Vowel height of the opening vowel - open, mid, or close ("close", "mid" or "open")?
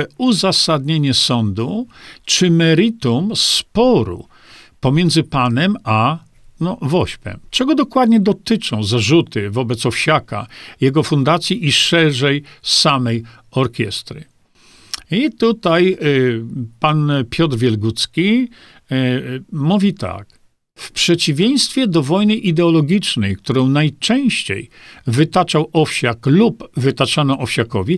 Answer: close